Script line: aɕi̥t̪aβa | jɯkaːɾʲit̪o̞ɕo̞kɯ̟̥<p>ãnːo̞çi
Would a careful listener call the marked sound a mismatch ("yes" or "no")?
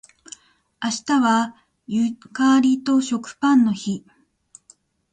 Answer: no